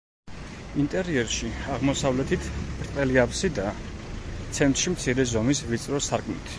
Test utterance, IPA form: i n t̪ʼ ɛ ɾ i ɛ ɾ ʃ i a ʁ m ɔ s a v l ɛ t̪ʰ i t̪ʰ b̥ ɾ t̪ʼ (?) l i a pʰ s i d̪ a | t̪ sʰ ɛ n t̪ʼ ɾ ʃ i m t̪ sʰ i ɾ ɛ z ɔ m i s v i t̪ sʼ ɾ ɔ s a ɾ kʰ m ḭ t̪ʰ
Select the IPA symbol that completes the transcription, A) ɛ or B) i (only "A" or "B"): A